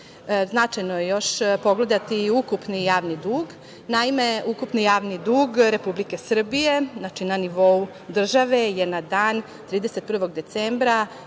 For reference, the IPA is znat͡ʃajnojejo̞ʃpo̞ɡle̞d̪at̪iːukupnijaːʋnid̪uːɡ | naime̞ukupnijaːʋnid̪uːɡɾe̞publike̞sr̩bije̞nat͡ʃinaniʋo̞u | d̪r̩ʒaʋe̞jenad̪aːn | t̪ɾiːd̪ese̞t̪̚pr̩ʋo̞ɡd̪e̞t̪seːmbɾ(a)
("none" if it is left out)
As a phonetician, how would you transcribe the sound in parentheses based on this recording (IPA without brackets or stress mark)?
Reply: a